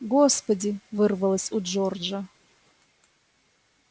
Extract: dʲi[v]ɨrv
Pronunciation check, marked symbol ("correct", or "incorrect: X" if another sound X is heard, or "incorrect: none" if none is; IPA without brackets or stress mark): correct